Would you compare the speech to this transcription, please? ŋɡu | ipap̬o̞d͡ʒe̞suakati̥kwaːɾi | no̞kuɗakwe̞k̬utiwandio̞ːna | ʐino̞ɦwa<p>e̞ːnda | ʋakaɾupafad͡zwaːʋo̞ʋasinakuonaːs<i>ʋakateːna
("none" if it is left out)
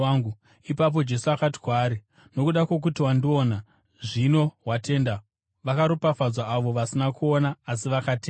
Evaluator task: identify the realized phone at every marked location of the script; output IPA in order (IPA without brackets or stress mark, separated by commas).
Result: t, i